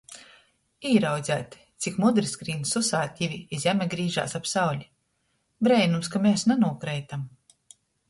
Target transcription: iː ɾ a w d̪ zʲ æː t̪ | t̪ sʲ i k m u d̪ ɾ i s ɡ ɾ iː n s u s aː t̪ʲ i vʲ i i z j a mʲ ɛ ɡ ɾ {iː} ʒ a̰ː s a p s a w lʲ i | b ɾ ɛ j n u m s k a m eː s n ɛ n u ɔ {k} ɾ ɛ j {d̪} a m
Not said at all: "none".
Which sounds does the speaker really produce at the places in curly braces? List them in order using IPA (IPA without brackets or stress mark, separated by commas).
iː, k, t̪